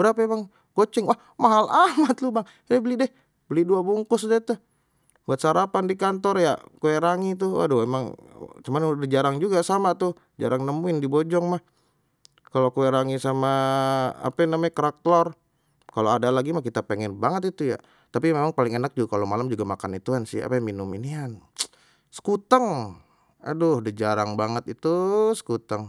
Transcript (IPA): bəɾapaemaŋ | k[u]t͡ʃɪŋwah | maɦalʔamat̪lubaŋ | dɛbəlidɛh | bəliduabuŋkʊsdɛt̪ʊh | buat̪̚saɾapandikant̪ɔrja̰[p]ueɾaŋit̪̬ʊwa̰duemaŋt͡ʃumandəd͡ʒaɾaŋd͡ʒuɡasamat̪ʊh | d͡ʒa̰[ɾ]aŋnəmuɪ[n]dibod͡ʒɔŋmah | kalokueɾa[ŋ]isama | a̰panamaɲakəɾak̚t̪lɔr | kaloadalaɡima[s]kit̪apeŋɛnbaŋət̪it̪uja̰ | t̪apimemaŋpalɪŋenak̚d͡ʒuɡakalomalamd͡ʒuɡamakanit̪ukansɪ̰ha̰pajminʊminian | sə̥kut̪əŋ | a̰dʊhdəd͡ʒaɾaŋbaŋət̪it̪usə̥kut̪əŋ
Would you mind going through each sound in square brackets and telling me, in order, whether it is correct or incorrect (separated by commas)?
incorrect, incorrect, correct, correct, correct, incorrect